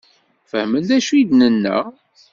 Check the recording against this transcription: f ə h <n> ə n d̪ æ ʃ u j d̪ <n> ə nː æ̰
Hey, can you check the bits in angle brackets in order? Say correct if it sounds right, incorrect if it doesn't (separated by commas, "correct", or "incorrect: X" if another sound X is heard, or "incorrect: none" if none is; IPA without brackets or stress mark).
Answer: incorrect: m, correct